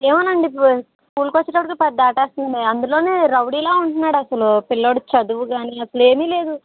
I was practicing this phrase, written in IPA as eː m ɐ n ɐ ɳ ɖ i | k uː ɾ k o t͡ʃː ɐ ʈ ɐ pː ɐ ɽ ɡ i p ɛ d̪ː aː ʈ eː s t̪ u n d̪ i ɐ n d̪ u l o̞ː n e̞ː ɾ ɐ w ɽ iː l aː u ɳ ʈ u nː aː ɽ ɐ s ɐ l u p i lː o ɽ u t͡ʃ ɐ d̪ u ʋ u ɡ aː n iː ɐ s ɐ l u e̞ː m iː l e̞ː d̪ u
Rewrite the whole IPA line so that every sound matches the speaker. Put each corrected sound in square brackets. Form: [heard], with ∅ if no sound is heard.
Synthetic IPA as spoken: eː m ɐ n ɐ ɳ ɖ i | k uː [l] k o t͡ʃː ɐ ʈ ɐ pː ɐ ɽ [k] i p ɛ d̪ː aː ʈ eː s t̪ u n d̪ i ɐ n d̪ u l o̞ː n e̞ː ɾ ɐ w ɽ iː l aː u ɳ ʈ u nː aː ɽ ɐ s ɐ l u p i lː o ɽ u t͡ʃ ɐ d̪ u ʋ u ɡ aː n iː ɐ s ɐ l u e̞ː m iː l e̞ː d̪ u